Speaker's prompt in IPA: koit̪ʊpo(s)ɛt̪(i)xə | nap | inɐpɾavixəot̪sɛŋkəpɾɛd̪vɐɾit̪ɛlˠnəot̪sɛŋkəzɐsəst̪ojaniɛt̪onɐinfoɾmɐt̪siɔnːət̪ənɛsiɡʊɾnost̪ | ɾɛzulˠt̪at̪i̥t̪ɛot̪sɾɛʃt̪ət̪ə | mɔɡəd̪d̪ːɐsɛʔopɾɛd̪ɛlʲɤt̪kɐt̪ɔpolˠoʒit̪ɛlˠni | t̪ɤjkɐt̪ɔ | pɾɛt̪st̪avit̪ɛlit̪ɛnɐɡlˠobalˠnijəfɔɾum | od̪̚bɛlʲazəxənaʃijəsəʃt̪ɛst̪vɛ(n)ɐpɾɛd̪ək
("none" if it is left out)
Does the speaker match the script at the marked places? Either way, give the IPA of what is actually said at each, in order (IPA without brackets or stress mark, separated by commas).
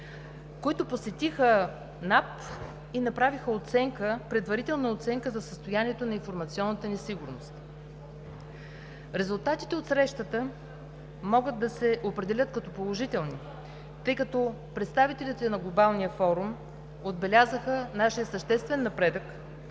s, i, nː